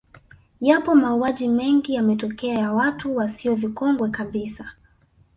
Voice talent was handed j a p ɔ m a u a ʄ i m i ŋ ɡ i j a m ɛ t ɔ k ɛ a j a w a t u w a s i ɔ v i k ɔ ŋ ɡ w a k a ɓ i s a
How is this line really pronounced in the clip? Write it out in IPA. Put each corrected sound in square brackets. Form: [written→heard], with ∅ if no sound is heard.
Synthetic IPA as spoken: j a p ɔ m a u a ʄ i m [i→ɛ] ŋ ɡ i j a m ɛ t ɔ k ɛ a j a w a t u w a s i ɔ v i k ɔ ŋ ɡ w [a→ɛ] k a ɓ i s a